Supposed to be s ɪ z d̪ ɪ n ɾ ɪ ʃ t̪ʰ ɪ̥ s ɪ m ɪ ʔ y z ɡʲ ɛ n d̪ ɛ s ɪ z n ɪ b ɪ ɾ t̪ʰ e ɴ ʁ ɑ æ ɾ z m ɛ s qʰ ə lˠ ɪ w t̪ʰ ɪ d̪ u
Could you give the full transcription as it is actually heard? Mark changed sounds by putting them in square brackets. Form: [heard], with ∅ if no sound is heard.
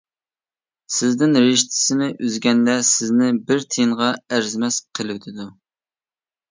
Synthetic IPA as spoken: s ɪ z d̪ ɪ n ɾ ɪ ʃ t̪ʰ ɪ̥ s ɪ [n] ɪ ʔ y z ɡʲ ɛ n d̪ ɛ s ɪ z n ɪ b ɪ ɾ t̪ʰ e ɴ ʁ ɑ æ ɾ z m ɛ s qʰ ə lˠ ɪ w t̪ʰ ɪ d̪ u